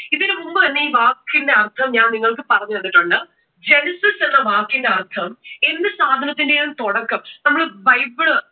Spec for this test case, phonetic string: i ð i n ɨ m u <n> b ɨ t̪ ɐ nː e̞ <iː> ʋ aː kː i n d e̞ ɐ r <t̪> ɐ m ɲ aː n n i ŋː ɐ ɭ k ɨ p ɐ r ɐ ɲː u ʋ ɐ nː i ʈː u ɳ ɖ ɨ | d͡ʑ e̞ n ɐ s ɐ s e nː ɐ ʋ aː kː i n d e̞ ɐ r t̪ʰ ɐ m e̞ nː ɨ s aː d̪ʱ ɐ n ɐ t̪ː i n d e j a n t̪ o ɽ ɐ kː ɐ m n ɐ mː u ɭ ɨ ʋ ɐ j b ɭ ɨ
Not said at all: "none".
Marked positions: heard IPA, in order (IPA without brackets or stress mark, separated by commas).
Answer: m, iː, t̪ʰ